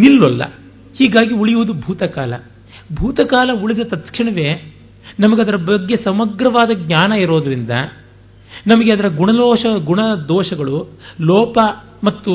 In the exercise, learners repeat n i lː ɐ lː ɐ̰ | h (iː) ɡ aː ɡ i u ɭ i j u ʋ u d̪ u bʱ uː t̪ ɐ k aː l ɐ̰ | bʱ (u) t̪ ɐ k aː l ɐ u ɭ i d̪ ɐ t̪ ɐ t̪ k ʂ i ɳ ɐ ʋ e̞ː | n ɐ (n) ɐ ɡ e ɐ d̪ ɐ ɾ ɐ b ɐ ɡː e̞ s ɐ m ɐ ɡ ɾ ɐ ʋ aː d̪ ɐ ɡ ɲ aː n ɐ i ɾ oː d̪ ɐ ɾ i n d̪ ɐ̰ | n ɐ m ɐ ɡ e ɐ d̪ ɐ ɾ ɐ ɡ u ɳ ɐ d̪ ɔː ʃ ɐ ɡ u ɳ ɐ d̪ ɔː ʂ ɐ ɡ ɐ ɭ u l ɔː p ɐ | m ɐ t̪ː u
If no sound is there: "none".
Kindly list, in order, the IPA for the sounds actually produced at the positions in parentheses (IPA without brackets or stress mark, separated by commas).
iː, uː, m